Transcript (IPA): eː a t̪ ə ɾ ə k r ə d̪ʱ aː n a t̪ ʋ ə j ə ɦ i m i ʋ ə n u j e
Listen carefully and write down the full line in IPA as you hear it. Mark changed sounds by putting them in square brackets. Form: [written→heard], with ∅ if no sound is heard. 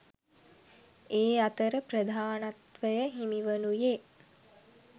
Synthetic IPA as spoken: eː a t̪ ə ɾ ə [k→p] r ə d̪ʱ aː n a t̪ ʋ ə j ə ɦ i m i ʋ ə n u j e